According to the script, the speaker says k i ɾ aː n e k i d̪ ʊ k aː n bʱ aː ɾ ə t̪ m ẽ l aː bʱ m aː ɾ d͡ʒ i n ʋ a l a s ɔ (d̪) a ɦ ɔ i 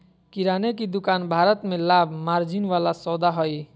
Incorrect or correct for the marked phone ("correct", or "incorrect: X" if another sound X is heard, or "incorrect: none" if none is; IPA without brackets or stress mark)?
correct